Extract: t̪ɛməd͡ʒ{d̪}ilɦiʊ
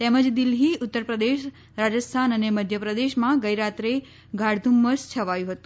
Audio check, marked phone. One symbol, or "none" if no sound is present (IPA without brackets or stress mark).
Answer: d̪